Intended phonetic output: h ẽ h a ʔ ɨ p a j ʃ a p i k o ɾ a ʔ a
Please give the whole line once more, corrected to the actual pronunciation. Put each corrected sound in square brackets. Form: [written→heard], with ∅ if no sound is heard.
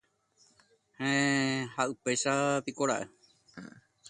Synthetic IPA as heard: h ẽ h a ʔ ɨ p [a→e] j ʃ a p i k o ɾ a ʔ [a→e]